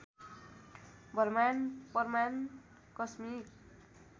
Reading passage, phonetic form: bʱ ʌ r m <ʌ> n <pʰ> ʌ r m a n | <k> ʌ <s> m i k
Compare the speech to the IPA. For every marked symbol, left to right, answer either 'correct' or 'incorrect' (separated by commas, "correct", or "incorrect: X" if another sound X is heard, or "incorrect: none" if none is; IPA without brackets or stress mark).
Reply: incorrect: a, incorrect: p, correct, correct